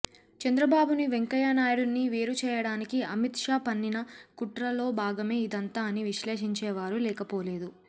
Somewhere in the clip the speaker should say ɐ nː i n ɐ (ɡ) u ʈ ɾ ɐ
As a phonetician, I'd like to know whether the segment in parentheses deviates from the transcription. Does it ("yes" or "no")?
yes